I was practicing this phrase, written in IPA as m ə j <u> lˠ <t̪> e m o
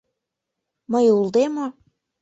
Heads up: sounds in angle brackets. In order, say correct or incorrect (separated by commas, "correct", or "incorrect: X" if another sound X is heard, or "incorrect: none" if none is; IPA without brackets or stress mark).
correct, incorrect: d̪